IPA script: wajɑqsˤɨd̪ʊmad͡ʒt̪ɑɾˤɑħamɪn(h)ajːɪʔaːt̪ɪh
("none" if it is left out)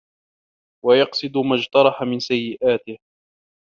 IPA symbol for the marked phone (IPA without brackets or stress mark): s